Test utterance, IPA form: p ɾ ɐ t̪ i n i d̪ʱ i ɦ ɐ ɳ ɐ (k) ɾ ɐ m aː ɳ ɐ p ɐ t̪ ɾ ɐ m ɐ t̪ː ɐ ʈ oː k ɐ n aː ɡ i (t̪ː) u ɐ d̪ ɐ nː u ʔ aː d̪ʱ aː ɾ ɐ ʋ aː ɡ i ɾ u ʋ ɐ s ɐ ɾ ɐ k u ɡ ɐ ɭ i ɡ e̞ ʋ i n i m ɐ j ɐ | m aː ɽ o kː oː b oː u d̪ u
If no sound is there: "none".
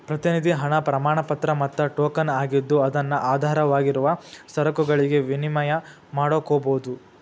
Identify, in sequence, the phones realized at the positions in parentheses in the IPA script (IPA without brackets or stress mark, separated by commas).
p, d̪ː